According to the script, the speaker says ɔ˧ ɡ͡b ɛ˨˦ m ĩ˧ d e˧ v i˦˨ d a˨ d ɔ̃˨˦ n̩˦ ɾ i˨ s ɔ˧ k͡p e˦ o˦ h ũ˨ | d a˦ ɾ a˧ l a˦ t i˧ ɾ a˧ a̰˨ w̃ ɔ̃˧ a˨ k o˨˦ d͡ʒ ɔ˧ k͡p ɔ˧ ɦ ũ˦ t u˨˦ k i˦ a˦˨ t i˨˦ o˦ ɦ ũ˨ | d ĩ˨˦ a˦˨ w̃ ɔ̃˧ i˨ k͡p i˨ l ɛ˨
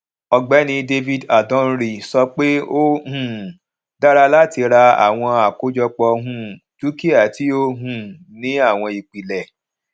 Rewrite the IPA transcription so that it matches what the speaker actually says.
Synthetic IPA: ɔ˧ ɡ͡b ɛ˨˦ n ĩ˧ d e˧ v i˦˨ d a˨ d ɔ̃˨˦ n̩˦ ɾ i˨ s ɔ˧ k͡p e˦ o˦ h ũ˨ | d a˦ ɾ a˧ l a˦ t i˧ ɾ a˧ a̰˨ w̃ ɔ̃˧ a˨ k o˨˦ d͡ʒ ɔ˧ k͡p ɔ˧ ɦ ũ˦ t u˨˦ k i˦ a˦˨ t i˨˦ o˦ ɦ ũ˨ | n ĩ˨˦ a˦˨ w̃ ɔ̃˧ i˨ k͡p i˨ l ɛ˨